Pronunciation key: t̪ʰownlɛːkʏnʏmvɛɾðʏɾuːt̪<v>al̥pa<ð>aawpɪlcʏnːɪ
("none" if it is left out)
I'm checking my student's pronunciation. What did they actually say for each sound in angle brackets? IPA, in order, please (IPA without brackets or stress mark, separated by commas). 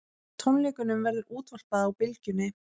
v, ð